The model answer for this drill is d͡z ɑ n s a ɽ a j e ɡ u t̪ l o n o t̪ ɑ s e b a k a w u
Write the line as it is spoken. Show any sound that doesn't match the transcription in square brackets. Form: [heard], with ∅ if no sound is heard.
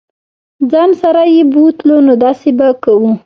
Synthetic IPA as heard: d͡z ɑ n s a [ɾ] a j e [b] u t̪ l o n o [d̪] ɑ s e b a k a w u